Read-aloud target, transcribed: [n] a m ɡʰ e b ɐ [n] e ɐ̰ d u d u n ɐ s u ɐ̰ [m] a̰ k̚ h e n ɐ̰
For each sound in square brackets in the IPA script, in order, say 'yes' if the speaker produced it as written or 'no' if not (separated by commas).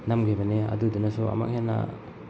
yes, yes, yes